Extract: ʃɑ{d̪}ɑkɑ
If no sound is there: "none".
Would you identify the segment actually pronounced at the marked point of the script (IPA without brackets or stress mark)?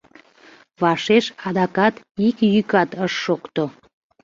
d̪